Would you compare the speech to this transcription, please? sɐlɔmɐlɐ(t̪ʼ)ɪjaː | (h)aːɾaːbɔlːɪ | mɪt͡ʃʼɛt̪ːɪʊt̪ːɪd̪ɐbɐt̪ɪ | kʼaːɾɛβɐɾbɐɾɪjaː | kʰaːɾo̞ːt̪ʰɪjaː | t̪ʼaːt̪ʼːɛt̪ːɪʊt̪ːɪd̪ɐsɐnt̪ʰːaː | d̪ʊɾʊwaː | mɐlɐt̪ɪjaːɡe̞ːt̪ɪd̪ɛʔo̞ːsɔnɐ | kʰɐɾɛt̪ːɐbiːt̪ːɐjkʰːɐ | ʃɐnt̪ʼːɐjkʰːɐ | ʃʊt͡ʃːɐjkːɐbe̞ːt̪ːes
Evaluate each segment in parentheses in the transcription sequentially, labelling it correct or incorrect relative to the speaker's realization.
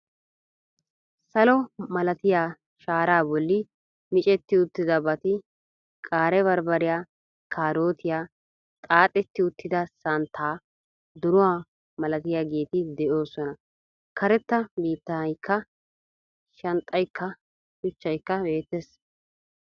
incorrect: t̪, incorrect: ʃ

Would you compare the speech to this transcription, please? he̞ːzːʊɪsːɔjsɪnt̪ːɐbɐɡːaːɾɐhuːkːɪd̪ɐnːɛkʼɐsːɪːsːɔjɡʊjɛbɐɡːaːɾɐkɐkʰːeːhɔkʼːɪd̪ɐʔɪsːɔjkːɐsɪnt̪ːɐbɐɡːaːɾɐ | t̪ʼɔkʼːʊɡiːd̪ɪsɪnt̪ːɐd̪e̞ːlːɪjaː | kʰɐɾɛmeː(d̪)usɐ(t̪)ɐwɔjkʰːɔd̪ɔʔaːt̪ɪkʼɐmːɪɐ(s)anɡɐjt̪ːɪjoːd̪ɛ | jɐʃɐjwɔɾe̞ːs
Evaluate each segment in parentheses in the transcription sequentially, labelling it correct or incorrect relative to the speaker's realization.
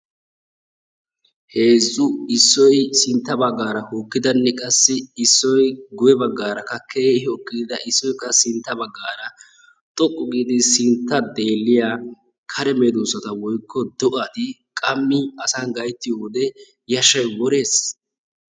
correct, correct, correct

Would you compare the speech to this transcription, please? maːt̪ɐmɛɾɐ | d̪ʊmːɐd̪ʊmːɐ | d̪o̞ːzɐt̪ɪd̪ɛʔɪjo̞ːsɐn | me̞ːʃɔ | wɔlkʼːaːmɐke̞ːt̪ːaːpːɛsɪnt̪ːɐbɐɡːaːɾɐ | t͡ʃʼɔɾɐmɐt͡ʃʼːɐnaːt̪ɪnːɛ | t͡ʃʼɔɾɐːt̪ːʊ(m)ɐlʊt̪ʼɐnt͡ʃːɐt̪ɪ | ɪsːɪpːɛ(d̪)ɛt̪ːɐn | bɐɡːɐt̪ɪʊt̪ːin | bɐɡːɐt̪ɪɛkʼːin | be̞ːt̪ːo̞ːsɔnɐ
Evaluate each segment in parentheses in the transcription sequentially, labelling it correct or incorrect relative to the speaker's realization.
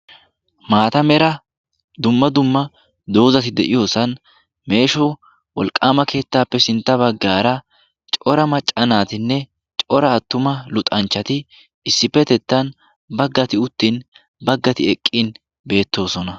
correct, incorrect: t̪

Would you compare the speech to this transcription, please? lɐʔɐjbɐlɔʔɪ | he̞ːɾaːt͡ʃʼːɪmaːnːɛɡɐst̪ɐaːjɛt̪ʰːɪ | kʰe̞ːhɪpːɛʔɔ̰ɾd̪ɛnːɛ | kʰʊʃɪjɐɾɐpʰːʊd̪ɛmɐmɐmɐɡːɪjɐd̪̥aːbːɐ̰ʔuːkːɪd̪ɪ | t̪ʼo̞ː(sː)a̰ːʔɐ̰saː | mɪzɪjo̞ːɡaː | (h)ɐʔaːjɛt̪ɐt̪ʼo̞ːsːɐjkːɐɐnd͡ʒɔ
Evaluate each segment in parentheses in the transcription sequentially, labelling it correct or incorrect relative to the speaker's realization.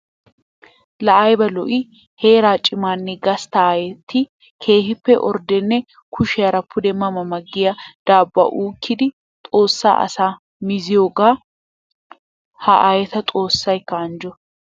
correct, correct

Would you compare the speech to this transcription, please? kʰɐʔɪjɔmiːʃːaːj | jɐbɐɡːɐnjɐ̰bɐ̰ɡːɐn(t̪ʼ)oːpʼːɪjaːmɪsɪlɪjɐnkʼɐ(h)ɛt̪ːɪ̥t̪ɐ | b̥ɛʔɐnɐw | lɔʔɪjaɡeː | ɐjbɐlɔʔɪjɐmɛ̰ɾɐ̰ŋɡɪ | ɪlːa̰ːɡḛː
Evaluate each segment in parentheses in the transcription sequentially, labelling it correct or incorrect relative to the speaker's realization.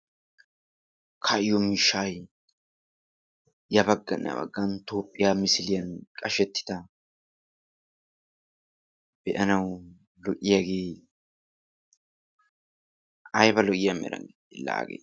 incorrect: t̪, incorrect: ʃ

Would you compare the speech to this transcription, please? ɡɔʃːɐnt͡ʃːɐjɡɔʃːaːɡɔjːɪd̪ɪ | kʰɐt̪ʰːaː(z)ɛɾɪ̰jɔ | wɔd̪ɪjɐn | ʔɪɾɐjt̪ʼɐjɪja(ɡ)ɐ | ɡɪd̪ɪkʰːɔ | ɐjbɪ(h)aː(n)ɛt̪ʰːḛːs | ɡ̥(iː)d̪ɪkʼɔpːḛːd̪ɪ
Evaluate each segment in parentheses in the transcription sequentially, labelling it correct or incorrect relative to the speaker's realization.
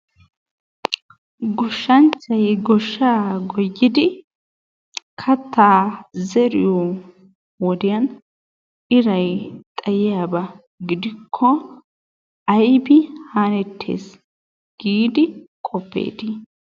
correct, incorrect: b, correct, correct, correct

